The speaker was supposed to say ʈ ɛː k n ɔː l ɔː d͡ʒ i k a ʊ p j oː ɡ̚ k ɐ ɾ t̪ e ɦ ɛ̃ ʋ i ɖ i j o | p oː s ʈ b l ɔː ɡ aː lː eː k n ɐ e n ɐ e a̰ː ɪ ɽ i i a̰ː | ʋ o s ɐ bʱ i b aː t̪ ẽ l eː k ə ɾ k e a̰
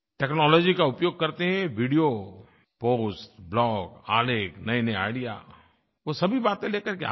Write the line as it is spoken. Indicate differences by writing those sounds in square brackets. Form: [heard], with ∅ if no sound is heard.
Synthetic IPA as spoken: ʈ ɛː k n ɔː l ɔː d͡ʒ i k a ʊ p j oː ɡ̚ k ɐ ɾ t̪ e ɦ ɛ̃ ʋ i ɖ i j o | p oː s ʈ b l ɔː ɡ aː [l] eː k n ɐ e n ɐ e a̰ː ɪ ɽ i [j] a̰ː | ʋ o s ɐ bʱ i b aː t̪ ẽ l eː k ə ɾ k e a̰